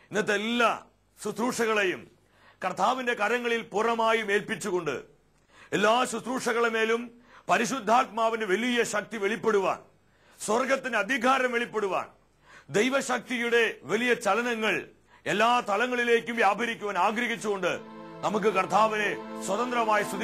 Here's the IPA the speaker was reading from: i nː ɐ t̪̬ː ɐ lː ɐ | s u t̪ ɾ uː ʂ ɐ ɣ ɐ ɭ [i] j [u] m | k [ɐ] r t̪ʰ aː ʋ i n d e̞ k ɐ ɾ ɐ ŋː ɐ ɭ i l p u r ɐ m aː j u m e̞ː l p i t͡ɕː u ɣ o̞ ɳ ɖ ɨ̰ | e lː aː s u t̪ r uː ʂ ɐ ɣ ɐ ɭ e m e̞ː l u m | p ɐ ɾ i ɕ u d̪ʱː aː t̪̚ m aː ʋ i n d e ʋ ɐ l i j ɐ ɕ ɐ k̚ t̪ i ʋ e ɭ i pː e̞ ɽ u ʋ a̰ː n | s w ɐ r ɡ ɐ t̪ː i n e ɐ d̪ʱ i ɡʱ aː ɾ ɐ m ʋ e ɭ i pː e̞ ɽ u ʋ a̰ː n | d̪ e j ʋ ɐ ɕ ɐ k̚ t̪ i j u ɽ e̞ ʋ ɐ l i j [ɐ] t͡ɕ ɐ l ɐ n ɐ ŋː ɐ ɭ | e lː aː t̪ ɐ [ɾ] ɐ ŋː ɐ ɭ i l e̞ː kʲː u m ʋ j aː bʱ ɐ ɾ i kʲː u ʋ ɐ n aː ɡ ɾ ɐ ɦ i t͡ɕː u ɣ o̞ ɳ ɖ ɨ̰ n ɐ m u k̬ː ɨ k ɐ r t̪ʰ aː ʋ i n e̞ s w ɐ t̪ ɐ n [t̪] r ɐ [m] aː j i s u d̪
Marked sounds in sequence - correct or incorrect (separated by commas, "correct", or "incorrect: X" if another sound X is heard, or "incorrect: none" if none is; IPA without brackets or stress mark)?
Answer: incorrect: e, correct, correct, correct, incorrect: l, incorrect: d̪, correct